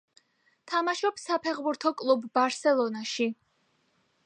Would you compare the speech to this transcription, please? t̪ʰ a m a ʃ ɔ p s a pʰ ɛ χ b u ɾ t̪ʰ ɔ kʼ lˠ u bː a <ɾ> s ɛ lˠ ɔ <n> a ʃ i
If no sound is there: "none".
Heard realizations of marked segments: ɾ, n

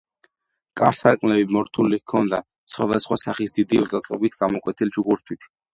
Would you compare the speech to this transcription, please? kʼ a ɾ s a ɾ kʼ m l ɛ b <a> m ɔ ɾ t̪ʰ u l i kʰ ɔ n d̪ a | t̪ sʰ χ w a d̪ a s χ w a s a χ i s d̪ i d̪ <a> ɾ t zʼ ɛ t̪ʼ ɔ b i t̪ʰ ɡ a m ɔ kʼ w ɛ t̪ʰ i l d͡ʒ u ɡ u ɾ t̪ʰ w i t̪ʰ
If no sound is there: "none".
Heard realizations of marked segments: i, i

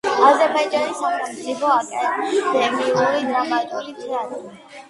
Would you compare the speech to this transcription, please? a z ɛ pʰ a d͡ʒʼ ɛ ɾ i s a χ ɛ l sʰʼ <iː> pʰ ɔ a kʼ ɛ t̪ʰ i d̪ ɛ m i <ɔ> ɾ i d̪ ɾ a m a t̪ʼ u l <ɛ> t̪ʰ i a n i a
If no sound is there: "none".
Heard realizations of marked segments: i, u, i

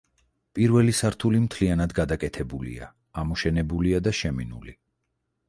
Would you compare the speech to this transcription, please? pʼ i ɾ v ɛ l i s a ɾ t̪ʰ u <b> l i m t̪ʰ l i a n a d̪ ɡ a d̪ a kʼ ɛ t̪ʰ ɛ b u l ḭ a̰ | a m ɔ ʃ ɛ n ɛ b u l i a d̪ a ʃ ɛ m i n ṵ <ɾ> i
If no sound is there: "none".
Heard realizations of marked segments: none, l

